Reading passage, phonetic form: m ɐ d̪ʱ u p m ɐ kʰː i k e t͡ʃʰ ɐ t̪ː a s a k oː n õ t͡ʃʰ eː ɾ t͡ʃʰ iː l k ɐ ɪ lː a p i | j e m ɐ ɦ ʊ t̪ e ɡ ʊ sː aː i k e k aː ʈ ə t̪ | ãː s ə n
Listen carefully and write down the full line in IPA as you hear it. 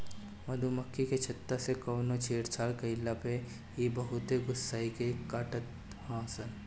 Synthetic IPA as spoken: m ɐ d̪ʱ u m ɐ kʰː i k e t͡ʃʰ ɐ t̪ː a s e k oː n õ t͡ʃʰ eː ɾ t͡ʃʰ aː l k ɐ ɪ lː a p e | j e b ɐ ɦ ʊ t̪ e ɡ ʊ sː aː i k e k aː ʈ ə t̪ | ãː s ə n